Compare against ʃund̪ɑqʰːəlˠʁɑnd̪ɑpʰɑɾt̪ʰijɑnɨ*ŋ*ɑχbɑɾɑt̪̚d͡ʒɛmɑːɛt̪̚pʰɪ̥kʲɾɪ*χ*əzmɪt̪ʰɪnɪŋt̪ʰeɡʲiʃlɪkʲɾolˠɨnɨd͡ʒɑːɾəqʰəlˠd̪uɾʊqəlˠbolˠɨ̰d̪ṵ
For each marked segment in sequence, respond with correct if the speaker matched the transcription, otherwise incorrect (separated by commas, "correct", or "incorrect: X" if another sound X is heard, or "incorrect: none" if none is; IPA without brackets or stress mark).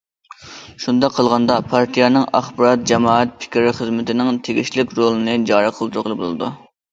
correct, correct